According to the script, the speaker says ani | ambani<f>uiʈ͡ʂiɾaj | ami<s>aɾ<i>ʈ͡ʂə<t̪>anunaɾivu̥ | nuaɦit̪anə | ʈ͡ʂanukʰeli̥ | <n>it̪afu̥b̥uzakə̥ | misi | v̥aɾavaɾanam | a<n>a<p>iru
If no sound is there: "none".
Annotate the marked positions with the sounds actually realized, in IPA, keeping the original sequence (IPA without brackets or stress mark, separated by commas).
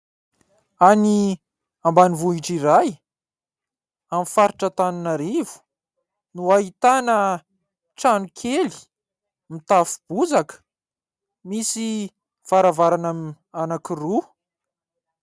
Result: v, f, i, t̪, m, n, k